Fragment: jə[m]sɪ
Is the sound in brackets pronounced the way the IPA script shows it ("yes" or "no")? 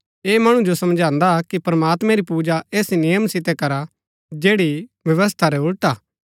yes